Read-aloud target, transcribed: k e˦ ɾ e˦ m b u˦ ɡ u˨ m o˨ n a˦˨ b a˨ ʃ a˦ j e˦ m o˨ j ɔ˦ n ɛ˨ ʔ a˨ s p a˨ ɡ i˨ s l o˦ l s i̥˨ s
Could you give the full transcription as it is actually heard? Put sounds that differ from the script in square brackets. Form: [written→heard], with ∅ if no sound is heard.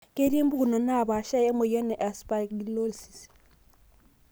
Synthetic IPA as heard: k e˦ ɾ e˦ m b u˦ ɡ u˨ [m→n] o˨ n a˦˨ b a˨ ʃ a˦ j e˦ m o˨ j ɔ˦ n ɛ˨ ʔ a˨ s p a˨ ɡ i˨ [s→∅] l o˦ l s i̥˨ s

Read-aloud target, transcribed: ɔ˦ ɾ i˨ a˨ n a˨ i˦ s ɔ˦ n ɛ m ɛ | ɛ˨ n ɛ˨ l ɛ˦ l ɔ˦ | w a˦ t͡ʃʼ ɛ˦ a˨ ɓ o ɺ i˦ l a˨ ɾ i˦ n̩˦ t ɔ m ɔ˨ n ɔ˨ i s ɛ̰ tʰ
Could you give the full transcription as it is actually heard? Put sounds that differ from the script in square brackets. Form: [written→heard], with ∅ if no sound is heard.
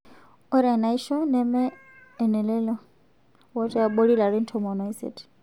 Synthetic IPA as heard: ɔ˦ ɾ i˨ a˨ n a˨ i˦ [s→ʃ] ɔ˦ n ɛ m ɛ | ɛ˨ n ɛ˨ l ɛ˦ l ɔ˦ | w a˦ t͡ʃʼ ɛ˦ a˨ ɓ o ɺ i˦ l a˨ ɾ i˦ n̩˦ [t→tʰ] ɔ m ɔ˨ n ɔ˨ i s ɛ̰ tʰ

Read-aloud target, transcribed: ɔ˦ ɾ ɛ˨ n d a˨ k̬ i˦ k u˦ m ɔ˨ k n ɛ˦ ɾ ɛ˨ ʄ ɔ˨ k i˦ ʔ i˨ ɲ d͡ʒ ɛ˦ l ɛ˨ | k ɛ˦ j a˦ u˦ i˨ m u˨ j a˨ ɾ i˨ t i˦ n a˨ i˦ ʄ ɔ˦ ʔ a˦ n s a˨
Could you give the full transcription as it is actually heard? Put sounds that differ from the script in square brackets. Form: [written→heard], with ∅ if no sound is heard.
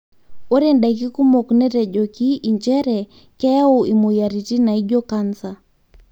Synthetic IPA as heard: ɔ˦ ɾ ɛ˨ n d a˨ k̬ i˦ k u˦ m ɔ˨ k n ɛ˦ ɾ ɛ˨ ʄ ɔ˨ k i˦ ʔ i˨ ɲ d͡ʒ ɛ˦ [l→ɾ] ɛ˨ | k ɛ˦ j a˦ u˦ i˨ m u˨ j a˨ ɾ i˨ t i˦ n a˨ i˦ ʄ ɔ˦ [ʔ→k] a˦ n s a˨

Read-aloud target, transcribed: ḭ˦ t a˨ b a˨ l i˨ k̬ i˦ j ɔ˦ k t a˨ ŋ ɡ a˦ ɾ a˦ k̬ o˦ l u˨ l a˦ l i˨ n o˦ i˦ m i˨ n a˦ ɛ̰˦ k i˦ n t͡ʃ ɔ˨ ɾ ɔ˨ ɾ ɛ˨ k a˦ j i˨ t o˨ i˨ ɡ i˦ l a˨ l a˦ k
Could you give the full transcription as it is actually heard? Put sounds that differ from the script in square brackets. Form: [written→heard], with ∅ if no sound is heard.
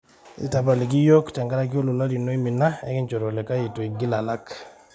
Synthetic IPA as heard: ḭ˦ t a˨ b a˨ l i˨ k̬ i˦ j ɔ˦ k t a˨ ŋ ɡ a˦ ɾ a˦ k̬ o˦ l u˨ l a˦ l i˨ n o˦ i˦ m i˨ n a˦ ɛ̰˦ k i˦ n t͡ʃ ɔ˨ ɾ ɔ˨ [ɾ→l] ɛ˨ k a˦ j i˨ t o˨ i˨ ɡ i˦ l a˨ l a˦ k

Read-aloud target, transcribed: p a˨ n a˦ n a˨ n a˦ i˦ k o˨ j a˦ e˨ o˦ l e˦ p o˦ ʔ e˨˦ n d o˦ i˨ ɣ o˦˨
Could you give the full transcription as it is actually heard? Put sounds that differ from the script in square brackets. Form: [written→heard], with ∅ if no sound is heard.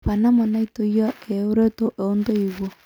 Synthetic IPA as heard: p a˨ n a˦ [n→m] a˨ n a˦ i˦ [k→t] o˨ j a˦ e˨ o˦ [l→ɾ] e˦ [p→t] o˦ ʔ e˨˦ n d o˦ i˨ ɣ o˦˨

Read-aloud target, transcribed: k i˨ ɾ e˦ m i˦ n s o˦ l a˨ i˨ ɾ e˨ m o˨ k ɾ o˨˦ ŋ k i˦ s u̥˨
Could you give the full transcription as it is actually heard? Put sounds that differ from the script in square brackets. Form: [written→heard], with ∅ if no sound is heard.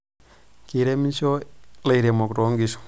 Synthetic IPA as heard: k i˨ ɾ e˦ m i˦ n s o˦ l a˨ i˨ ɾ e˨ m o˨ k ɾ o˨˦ ŋ [k→ɡ] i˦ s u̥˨

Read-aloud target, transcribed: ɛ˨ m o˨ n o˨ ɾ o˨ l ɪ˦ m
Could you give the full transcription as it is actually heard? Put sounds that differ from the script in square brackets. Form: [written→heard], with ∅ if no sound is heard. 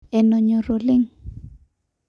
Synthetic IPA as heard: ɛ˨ [m→n] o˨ [n→ɲ] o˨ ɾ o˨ l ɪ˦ [m→ŋ]

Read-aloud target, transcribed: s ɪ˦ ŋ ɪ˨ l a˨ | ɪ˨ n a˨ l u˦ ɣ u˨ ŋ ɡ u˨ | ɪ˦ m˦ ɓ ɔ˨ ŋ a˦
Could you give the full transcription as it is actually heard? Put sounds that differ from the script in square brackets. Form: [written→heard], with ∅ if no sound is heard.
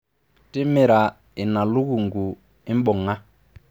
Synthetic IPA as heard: [s→t] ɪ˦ [ŋ→m] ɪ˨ [l→ɾ] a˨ | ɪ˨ n a˨ l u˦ ɣ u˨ ŋ ɡ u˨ | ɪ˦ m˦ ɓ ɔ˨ ŋ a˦

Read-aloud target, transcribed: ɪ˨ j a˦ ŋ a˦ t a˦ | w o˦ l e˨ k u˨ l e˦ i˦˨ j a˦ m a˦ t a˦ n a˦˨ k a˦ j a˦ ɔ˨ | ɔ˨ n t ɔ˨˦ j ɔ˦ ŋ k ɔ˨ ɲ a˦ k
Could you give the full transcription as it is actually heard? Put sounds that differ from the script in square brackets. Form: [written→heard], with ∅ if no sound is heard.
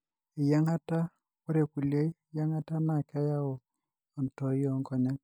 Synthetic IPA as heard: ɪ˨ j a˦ ŋ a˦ t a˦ | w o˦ [l→ɾ] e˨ k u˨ l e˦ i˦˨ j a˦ [m→ŋ] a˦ t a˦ [n→m] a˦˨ k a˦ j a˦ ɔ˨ | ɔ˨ n t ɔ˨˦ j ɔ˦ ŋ k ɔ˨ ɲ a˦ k

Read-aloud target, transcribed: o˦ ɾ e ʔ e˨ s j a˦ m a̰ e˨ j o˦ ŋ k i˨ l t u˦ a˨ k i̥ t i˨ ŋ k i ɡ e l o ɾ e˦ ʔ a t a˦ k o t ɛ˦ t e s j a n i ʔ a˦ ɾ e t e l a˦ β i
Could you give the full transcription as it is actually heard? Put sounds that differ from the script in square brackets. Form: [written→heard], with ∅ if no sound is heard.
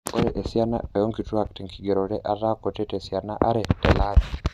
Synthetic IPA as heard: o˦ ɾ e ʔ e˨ s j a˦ [m→n] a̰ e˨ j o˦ ŋ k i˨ [l→∅] t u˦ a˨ k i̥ t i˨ ŋ k i ɡ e [l→ɾ] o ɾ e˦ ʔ a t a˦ k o t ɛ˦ t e s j a n [i→a] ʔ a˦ ɾ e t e l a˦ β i

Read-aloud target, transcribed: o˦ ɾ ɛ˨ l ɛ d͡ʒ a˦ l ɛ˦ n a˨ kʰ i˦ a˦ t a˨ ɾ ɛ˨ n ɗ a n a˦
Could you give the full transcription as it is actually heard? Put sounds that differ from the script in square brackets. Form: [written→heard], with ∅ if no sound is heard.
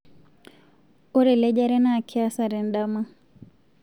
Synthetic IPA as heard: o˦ ɾ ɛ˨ l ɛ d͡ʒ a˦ [l→ɾ] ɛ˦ n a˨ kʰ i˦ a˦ [t→s] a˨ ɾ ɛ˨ n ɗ a [n→m] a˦

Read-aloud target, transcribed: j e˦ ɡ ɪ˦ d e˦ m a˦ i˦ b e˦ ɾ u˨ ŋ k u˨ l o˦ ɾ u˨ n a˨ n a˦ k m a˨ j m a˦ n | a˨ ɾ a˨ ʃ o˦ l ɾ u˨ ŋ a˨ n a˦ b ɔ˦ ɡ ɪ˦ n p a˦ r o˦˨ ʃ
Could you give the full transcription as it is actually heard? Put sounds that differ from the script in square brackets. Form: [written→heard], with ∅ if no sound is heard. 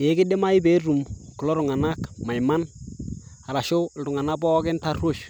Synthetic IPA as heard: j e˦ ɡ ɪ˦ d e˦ m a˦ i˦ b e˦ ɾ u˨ [ŋ→m] k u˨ l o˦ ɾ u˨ [n→ŋ] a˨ n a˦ k m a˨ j m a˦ n | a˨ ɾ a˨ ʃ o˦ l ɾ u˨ ŋ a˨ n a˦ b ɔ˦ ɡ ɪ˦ n [p→t] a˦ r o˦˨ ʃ

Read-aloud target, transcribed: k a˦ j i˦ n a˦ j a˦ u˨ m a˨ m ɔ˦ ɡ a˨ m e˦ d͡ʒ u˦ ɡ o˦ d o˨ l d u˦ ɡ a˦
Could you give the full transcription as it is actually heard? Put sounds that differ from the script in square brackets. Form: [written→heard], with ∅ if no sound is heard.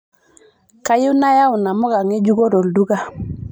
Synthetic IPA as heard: k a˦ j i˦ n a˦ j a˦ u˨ [m→n] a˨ m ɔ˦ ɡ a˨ [m→ŋ] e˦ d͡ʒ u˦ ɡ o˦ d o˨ l d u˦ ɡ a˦

